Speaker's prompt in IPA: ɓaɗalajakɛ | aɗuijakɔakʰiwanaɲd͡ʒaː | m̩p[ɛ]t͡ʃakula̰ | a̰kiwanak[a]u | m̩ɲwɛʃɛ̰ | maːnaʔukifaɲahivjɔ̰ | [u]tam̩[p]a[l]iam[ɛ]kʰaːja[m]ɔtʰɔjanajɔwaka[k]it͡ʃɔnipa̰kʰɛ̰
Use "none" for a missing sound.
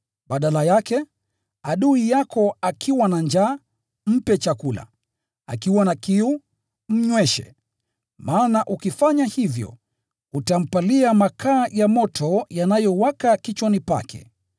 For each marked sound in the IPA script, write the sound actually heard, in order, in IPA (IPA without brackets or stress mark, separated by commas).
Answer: ɛ, i, u, p, l, a, m, k